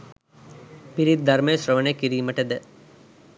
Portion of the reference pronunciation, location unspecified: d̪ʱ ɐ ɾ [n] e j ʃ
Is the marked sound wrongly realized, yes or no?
yes